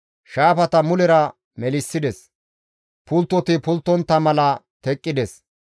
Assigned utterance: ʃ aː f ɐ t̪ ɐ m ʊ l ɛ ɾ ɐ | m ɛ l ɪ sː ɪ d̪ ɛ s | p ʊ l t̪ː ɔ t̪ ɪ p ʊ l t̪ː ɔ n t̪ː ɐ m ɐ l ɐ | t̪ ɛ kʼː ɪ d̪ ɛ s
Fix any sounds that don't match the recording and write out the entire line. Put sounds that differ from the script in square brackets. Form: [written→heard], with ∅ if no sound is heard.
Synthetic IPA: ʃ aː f ɐ t̪ ɐ m ʊ l ɛ ɾ ɐ | m ɛ l ɪ sː ɪ d̪ ɛ s | p ʊ l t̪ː ɔ t̪ ɪ p ʊ l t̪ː ɔ n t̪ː ɐ m ɐ l ɐ | t̪ ɛ kʼː ɪ d̪ ɛ s